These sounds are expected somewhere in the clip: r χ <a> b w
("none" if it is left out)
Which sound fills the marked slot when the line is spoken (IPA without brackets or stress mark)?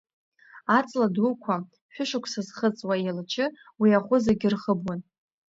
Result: ə